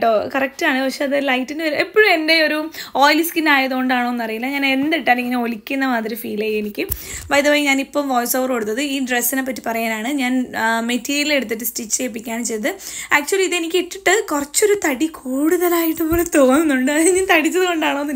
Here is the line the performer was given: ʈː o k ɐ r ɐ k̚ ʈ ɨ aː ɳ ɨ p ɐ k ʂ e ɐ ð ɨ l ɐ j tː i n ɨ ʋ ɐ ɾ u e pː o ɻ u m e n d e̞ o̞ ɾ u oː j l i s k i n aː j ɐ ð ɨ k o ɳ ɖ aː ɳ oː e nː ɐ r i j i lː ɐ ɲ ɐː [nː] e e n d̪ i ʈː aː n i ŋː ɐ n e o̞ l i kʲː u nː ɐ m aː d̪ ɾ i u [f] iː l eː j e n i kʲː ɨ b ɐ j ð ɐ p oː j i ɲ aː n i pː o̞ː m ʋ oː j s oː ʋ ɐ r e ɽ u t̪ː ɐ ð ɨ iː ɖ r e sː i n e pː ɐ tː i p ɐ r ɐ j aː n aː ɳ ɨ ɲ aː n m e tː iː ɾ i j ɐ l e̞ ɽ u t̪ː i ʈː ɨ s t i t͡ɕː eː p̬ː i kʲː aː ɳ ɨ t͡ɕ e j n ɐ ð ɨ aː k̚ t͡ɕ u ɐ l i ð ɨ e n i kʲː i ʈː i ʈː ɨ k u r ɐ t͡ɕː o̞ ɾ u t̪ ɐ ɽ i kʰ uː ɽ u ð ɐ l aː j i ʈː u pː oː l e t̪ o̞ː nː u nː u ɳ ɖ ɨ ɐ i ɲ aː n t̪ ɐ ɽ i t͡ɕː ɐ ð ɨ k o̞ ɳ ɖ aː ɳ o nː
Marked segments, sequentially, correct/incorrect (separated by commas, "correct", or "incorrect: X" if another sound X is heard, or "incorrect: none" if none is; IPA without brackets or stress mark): incorrect: n, correct